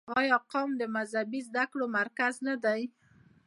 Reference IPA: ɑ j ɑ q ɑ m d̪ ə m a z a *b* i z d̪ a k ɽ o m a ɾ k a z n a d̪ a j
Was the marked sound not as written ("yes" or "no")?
no